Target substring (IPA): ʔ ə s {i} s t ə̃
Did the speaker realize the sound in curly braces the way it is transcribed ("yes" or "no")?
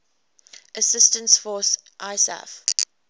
no